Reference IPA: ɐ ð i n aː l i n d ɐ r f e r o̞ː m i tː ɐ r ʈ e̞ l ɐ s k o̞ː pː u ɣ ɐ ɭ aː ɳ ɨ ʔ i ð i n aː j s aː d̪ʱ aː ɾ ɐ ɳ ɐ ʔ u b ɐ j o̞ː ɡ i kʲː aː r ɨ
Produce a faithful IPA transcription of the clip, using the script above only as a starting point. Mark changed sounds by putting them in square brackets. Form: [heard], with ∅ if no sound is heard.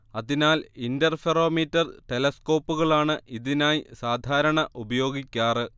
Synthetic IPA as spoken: ɐ ð i n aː l i n d ɐ r f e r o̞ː m i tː ɐ r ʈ e̞ l ɐ s k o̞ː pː u ɣ ɐ ɭ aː ɳ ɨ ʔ i ð i n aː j s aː d̪ʱ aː ɾ ɐ ɳ ɐ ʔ u b ɐ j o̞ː ɡ i kʲː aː r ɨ